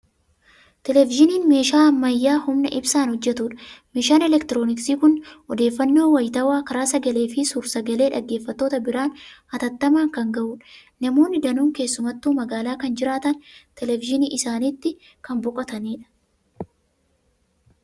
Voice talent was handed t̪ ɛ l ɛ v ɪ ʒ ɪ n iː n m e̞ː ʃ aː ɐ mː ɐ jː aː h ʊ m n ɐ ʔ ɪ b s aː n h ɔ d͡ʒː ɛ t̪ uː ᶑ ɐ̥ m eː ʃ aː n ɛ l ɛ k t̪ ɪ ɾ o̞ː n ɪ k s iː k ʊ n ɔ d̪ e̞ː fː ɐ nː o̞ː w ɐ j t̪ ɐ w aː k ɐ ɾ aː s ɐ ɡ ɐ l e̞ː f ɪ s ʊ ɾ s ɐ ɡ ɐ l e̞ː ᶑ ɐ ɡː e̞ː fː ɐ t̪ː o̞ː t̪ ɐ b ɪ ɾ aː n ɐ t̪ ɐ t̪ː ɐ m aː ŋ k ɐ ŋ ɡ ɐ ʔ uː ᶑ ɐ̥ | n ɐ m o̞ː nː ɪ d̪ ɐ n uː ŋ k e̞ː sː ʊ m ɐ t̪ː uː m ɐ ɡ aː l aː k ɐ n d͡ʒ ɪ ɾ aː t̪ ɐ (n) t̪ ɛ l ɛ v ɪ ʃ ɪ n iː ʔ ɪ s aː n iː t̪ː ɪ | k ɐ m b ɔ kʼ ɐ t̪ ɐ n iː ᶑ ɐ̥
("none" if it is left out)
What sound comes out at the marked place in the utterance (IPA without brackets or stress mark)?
n